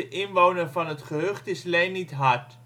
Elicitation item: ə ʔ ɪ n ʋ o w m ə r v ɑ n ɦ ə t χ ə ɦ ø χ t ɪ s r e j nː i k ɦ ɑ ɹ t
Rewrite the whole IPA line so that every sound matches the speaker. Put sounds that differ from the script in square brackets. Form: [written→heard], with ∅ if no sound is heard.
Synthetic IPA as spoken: ə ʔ ɪ n ʋ o w [m→n] ə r v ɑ n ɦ ə t χ ə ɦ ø χ t ɪ s [r→l] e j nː i [k→t] ɦ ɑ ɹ t